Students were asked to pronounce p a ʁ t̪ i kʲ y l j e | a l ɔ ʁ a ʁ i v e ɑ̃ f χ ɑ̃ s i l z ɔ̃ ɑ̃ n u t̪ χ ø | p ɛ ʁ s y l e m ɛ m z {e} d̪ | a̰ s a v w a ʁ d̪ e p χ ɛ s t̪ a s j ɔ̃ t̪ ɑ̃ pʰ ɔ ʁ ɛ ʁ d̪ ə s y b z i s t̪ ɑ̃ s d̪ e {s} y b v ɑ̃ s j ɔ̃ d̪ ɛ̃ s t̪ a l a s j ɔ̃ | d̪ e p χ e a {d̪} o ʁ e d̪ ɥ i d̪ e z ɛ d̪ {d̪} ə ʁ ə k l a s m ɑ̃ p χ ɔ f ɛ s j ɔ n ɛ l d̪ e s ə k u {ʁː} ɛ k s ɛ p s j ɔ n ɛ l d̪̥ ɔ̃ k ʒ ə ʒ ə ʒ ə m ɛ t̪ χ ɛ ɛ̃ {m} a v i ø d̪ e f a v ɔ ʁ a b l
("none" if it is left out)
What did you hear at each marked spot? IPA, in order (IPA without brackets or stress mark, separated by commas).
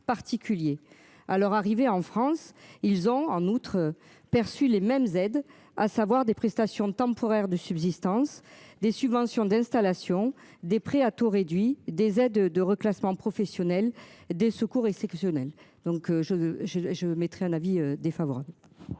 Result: ɛ, s, t̪, d̪, ʁ, n